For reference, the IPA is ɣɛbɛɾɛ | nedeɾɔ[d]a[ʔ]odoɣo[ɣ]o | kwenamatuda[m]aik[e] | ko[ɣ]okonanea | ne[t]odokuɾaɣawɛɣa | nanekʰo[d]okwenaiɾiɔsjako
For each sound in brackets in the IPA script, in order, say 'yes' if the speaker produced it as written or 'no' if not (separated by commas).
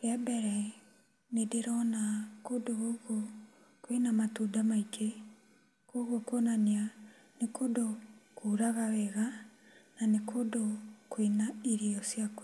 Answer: no, no, yes, yes, yes, yes, no, yes